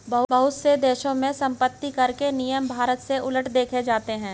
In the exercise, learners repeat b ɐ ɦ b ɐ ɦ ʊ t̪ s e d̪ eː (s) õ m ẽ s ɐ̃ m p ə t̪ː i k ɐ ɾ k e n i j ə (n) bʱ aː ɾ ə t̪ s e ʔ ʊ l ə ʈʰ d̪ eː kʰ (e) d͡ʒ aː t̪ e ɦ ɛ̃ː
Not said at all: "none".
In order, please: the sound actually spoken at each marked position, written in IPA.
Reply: ʃ, m, e

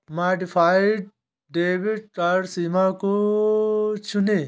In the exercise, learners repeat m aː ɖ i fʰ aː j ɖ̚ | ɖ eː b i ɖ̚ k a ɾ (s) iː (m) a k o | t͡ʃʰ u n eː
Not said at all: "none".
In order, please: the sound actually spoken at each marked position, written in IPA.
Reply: s, m

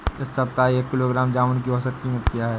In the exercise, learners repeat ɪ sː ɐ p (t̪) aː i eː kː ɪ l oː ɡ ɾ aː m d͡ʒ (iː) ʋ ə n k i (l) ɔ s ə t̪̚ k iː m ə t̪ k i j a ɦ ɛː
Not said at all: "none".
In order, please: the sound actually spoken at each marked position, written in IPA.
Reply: t̪, aː, none

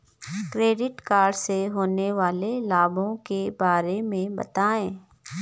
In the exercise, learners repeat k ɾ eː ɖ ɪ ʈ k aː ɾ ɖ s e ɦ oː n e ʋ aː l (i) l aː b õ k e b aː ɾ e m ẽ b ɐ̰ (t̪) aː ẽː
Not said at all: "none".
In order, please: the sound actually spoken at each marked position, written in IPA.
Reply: e, t̪

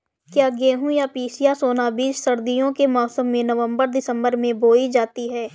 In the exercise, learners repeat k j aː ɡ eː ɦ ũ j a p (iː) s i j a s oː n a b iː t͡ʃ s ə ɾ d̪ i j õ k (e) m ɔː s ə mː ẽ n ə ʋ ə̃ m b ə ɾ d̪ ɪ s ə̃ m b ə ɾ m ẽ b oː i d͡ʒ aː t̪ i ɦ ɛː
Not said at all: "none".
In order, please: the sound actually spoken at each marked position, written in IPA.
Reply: iː, e

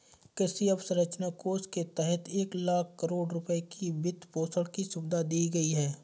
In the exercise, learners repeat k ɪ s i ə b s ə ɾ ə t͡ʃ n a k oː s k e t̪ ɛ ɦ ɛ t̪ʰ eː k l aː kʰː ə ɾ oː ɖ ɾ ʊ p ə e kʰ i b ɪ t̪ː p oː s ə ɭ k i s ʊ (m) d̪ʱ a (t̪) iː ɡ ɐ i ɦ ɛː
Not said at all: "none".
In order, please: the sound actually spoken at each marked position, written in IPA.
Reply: b, d̪

